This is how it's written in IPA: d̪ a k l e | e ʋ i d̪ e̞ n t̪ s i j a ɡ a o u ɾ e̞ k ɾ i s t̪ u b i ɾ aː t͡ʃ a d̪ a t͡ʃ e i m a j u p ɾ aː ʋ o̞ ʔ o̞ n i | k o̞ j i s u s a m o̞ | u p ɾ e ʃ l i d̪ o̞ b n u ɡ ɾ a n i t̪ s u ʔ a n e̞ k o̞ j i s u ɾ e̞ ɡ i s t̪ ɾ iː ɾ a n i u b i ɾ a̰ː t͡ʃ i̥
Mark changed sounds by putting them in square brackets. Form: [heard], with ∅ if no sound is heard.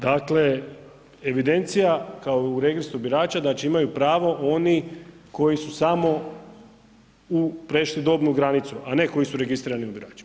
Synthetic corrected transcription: d̪ a k l e | e ʋ i d̪ e̞ n t̪ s i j a [k] a o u ɾ e̞ [ɡ] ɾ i s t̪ u b i ɾ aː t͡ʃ a d̪ a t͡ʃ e i m a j u p ɾ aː ʋ o̞ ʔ o̞ n i | k o̞ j i s u s a m o̞ | u p ɾ e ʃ l i d̪ o̞ b n u ɡ ɾ a n i t̪ s u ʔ a n e̞ k o̞ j i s u ɾ e̞ ɡ i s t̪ ɾ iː ɾ a n i u b i ɾ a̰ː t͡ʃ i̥